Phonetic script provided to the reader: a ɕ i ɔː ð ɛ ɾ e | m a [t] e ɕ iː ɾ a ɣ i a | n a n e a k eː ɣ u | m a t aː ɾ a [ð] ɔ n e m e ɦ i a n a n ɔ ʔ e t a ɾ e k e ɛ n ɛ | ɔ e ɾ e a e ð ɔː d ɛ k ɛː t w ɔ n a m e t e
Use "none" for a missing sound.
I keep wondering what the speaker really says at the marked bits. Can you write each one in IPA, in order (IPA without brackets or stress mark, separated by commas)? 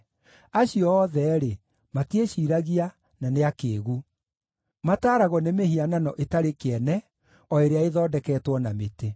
t, ɣ